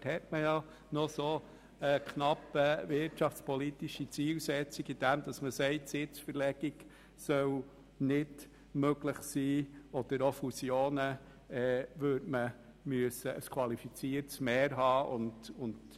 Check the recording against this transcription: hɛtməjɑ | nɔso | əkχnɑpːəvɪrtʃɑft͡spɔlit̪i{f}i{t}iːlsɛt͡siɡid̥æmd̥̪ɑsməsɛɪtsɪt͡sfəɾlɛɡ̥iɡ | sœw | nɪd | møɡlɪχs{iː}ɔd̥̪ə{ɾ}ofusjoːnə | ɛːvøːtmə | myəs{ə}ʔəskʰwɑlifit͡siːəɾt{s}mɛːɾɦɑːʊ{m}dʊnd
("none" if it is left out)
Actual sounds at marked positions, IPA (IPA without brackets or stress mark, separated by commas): ʃ, t͡s, iː, ɾ, ə, s, n